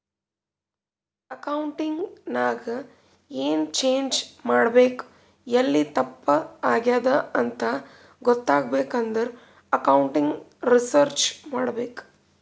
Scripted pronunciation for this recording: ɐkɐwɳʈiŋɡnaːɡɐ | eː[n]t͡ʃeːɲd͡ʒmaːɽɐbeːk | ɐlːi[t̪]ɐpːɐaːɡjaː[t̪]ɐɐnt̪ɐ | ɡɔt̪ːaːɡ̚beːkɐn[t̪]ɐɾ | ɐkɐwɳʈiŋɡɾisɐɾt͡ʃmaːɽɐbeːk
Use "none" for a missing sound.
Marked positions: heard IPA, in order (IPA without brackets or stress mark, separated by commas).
n, t̪, d̪, d̪